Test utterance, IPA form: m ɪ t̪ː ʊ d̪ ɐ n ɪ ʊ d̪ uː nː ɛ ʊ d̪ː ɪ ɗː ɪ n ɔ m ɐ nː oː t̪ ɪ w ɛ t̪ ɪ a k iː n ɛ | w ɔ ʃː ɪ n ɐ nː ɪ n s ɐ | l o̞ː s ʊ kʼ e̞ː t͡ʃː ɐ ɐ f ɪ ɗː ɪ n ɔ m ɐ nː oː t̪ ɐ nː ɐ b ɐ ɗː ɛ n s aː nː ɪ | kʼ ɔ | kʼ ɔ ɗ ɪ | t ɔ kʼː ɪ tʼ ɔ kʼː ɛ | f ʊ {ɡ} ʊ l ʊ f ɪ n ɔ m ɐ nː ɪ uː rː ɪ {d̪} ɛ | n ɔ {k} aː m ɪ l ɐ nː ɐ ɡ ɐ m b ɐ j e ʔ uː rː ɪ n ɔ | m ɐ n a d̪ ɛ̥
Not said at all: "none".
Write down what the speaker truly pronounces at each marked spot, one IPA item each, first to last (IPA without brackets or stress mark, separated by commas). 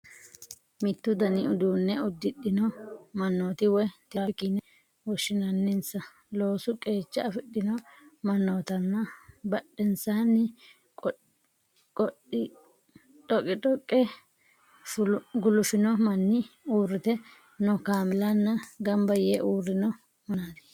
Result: ɡ, t̪, k